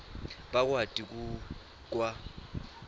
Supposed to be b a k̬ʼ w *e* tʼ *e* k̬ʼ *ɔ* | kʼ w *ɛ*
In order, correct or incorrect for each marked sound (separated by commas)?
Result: incorrect, incorrect, incorrect, incorrect